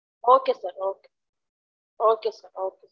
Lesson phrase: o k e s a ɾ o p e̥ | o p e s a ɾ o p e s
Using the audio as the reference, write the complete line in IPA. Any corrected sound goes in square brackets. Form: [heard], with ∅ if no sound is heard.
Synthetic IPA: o k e s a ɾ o [k] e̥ | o [k] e s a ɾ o [k] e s

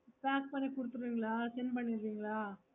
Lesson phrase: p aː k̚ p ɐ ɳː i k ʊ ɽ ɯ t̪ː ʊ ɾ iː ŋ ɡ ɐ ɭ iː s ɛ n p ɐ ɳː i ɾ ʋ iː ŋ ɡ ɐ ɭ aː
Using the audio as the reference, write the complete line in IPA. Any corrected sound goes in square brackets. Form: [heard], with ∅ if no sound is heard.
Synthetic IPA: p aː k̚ p ɐ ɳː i k ʊ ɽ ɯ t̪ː [ɯ] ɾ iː ŋ ɡ ɐ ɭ [aː] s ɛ n p ɐ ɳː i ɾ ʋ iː ŋ ɡ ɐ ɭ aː

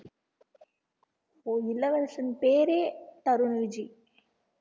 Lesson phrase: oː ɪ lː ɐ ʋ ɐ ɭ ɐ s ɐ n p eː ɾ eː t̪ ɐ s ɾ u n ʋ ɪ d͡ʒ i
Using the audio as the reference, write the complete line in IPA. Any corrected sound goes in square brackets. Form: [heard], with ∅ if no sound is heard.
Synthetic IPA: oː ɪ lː ɐ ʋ ɐ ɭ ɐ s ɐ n p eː ɾ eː t̪ ɐ [∅] ɾ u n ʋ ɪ d͡ʒ i

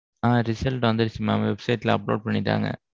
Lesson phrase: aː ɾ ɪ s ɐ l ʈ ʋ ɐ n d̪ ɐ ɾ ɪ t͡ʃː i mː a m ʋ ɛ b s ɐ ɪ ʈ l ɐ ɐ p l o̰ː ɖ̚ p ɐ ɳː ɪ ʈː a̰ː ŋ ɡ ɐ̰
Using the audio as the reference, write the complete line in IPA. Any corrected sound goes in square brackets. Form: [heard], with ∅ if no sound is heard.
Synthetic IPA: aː ɾ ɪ s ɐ l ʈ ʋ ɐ n d̪ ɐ ɾ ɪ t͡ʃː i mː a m ʋ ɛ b s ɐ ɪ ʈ l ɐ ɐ p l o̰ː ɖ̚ p ɐ ɳː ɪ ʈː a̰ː ŋ ɡ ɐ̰

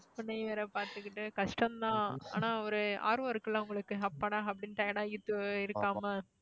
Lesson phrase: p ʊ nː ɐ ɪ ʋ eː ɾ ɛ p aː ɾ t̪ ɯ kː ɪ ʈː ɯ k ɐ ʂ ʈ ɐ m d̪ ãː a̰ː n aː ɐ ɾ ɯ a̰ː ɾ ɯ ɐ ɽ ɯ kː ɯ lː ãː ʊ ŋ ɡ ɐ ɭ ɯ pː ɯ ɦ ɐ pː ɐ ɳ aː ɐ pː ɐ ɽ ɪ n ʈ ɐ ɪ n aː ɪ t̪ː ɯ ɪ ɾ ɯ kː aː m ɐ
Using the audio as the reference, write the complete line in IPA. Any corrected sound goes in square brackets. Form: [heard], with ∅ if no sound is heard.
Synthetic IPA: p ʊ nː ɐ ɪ ʋ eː ɾ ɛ p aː ɾ t̪ ɯ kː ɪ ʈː ɯ k ɐ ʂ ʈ ɐ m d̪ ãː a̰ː n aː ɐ ɾ ɯ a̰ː ɾ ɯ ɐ [ɾ] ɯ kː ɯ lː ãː ʊ ŋ ɡ ɐ ɭ ɯ [kː] ɯ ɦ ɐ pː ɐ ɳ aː ɐ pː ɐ ɽ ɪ n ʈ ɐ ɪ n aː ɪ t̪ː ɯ ɪ ɾ ɯ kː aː m ɐ

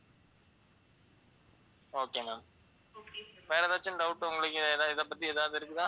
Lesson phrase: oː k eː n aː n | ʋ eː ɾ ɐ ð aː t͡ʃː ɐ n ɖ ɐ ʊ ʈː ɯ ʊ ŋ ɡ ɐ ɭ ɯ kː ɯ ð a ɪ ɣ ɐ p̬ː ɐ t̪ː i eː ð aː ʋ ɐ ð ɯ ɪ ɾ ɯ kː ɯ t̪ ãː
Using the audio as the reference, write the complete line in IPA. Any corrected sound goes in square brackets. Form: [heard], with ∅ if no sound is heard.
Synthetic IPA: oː k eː n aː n | ʋ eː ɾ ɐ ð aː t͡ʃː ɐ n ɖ ɐ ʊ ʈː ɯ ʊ ŋ ɡ ɐ ɭ ɯ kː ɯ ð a ɪ [ð] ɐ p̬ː ɐ t̪ː i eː ð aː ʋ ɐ ð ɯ ɪ ɾ ɯ kː ɯ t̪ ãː

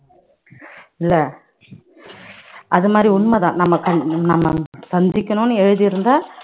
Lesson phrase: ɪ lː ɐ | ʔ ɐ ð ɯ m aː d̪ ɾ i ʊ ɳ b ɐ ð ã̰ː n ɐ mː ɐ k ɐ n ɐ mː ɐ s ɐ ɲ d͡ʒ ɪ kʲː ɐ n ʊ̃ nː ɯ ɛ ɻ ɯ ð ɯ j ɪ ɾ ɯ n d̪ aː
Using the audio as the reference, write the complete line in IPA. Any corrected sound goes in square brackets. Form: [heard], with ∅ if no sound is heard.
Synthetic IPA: ɪ lː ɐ | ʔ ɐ ð ɯ m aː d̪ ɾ i ʊ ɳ [m] ɐ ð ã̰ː n ɐ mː ɐ k ɐ n ɐ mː ɐ s ɐ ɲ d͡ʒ ɪ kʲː ɐ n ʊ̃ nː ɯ ɛ ɻ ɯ ð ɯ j ɪ ɾ ɯ n d̪ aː

